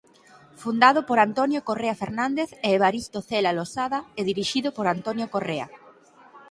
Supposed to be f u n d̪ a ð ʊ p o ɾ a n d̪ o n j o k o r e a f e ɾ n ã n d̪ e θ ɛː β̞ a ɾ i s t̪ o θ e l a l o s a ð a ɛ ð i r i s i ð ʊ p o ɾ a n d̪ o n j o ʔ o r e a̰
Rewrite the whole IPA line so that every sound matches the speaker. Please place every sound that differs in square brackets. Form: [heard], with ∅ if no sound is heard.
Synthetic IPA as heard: f u n d̪ a ð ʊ p o ɾ a n [t̪] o n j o k o r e a f e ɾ n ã n d̪ e θ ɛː β̞ a ɾ i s t̪ o θ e l a l o s a ð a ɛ ð i [ɾ] i [ʃ] i ð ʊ p o ɾ a n [t̪] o n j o [k] o r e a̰